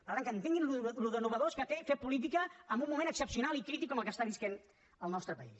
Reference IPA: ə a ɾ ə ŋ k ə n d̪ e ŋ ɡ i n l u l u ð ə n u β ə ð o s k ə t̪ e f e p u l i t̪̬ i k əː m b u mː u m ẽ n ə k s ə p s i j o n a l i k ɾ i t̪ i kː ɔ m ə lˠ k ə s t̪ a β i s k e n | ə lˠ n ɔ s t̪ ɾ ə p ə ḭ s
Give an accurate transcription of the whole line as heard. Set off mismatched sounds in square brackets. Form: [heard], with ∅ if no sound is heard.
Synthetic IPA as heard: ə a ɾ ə ŋ k ə n [t̪] e ŋ ɡ i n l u l u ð ə n u β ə ð o s k ə t̪ e f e p u l i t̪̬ i k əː m b u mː u m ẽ n ə k s ə p s i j [u] n a l i k ɾ i t̪ i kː ɔ m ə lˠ k ə s t̪ a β i s k e n | ə lˠ n ɔ s t̪ ɾ ə p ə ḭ s